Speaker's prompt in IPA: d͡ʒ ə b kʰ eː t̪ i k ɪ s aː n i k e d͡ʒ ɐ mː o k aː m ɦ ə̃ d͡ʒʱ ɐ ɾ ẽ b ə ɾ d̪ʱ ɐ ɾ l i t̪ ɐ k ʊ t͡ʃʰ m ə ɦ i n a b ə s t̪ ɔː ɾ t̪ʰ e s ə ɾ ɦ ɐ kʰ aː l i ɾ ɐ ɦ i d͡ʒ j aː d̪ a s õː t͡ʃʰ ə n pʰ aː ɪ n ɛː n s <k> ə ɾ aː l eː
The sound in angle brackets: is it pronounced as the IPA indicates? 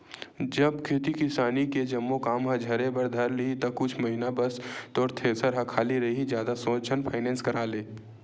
yes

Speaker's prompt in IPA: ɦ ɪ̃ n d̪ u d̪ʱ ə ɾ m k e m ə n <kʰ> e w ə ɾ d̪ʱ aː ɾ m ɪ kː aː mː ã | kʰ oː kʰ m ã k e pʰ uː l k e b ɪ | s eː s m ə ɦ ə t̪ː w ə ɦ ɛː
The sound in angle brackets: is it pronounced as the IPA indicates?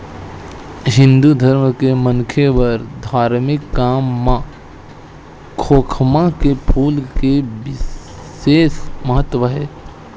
yes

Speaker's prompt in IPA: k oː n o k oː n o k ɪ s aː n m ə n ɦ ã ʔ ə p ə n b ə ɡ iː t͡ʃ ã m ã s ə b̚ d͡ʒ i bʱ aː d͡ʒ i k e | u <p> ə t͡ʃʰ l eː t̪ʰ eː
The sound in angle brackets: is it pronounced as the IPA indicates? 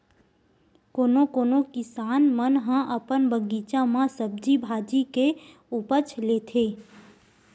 yes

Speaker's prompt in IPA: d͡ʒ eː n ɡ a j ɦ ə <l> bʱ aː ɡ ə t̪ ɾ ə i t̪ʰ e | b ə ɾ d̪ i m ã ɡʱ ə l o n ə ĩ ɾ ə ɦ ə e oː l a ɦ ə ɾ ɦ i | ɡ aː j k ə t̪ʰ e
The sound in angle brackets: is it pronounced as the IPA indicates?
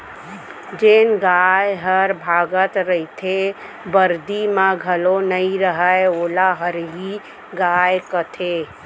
no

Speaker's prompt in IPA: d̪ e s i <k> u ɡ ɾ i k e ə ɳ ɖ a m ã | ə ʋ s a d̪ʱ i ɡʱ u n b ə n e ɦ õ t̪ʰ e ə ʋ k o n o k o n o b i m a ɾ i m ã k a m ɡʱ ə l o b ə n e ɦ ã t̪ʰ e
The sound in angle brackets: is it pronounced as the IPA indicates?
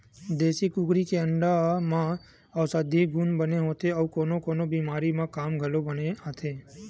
yes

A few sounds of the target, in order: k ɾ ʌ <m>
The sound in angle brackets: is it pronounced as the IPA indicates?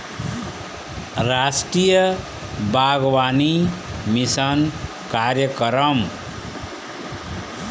yes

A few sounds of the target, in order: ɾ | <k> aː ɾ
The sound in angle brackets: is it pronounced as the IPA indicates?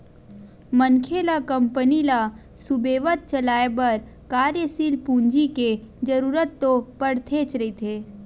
yes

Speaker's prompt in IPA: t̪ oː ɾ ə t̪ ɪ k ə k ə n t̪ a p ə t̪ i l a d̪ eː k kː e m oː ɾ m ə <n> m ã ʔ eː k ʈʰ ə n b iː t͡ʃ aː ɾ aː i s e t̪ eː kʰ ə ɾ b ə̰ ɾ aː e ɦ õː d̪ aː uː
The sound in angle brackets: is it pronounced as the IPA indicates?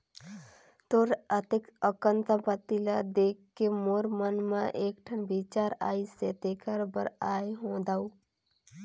yes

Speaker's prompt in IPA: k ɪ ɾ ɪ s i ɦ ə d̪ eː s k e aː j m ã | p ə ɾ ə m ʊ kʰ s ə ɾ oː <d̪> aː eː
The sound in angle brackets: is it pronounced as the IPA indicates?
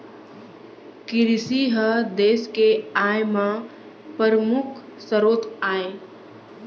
no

